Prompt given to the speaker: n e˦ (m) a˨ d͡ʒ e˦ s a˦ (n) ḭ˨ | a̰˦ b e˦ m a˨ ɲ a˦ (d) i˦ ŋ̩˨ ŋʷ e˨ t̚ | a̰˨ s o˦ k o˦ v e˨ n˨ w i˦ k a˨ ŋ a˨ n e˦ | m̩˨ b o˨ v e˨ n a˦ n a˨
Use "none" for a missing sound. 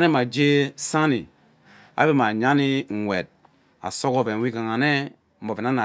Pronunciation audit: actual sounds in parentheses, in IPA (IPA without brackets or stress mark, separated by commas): m, n, n